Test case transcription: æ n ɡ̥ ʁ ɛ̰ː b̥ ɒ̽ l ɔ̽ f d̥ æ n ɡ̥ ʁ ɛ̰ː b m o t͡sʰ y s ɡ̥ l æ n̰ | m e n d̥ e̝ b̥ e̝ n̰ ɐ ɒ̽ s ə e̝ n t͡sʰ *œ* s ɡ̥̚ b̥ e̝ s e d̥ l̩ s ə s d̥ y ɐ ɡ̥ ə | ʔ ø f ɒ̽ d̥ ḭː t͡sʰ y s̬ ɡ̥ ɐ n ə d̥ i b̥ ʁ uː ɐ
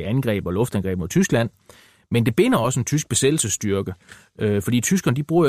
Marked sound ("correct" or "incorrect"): incorrect